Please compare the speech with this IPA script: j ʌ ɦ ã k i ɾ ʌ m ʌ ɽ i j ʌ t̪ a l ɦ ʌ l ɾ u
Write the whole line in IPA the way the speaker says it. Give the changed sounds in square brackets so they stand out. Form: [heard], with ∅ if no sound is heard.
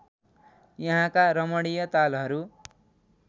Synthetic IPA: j ʌ ɦ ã k [a] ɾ ʌ m ʌ ɽ i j ʌ t̪ a l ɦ ʌ [∅] ɾ u

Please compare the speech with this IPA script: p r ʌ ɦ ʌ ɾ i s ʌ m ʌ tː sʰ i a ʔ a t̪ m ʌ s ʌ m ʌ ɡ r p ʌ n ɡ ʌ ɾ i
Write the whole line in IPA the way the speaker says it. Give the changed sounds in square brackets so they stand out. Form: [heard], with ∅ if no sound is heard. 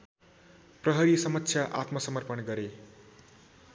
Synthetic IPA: p r ʌ ɦ ʌ ɾ i s ʌ m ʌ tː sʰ [j] a ʔ a t̪ m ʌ s ʌ m ʌ [∅] r p ʌ n ɡ ʌ ɾ [e]

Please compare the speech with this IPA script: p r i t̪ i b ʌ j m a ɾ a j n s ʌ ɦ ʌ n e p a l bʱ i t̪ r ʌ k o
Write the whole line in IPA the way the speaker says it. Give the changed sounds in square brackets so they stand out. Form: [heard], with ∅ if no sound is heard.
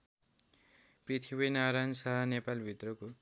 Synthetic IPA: p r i [t̪ʰ] i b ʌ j [n] a ɾ a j n s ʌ ɦ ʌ n e p a l bʱ i t̪ r ʌ k o

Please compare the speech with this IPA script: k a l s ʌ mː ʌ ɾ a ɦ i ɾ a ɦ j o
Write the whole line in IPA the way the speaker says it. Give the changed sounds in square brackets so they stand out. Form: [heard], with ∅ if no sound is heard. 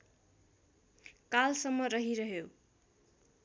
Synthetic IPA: k a l s ʌ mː ʌ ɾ [ʌ] ɦ i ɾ [ʌ] ɦ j o

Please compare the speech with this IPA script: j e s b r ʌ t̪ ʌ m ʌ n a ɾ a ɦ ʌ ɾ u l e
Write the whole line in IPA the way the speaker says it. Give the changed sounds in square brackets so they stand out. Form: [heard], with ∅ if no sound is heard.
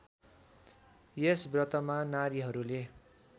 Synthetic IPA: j e s b r ʌ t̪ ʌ m [a] n a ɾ [i] ɦ ʌ ɾ u l e

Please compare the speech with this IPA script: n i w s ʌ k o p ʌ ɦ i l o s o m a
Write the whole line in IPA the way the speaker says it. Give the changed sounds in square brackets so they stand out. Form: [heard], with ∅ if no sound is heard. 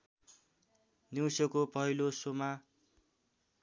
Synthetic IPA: n i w s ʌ k o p ʌ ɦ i l o s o m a

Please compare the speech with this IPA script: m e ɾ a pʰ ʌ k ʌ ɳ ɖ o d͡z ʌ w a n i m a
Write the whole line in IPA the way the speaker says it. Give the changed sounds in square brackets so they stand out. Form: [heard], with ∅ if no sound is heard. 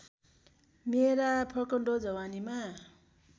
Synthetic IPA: m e ɾ a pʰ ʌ k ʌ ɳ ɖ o d͡z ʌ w a n i m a

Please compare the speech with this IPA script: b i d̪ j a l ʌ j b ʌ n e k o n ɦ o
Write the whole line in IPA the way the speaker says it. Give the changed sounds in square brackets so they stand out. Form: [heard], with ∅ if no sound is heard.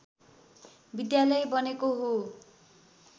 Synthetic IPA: b i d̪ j a l ʌ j b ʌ n e k o [∅] ɦ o

